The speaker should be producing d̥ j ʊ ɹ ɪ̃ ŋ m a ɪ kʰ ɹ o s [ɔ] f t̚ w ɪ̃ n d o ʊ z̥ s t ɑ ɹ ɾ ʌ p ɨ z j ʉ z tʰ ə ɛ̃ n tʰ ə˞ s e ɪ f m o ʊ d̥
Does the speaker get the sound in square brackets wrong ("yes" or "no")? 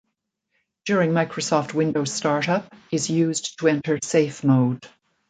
no